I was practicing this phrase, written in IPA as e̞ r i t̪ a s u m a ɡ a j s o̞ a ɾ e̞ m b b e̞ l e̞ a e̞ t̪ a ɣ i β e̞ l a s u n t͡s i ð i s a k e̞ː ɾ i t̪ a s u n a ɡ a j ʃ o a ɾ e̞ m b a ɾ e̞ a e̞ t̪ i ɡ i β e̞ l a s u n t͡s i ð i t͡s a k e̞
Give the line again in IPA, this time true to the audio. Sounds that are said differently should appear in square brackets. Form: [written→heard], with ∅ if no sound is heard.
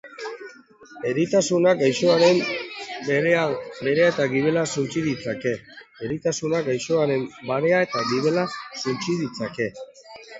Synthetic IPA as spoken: e̞ [r→ɾ] i t̪ a s u [m→n] a ɡ a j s o̞ a ɾ e̞ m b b e̞ [l→ɾ] e̞ a e̞ t̪ a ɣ i β e̞ l a s u n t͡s i ð i [s→t͡s] a k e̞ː ɾ i t̪ a s u n a ɡ a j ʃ o a ɾ e̞ m b a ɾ e̞ a e̞ t̪ [i→a] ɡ i β e̞ l a s u n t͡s i ð i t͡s a k e̞